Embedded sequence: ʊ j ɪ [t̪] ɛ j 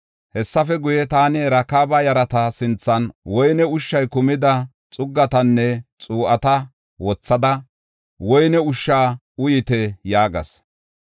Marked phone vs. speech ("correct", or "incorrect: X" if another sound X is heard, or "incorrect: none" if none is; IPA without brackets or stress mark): correct